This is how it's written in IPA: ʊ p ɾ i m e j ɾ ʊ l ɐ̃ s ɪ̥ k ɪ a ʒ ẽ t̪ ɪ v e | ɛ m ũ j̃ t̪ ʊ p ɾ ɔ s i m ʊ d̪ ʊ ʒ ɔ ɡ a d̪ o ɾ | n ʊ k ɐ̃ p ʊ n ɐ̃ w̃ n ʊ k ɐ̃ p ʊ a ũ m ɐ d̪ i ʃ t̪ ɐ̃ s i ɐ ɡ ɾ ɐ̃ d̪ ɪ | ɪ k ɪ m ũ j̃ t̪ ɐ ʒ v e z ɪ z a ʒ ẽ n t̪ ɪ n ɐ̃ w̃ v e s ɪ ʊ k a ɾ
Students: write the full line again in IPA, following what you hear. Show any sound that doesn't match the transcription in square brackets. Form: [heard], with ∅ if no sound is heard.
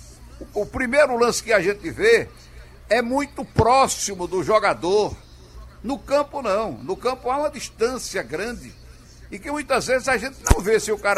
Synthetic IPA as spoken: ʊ p ɾ i m e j ɾ ʊ l ɐ̃ s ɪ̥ k ɪ a ʒ ẽ t̪ ɪ v e | ɛ m ũ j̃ t̪ ʊ p ɾ ɔ s i m ʊ d̪ ʊ ʒ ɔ ɡ a d̪ o ɾ | n ʊ k ɐ̃ p ʊ n ɐ̃ w̃ n ʊ k ɐ̃ p ʊ a ũ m ɐ d̪ i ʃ t̪ ɐ̃ s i ɐ ɡ ɾ ɐ̃ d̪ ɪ | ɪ k ɪ m ũ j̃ t̪ ɐ [z] v e z ɪ z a ʒ ẽ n t̪ ɪ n ɐ̃ w̃ v e s ɪ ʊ k a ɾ